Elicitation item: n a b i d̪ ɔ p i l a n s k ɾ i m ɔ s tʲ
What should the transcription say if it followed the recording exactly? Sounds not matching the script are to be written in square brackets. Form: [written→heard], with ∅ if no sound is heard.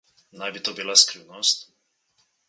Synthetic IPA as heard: n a b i [d̪→t̪] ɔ [p→b] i l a [n→∅] s k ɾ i [m→n] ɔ s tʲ